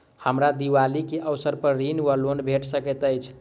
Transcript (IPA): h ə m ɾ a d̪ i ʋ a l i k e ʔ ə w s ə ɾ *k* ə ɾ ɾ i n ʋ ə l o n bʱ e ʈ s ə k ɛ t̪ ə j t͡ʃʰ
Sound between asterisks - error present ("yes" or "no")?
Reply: yes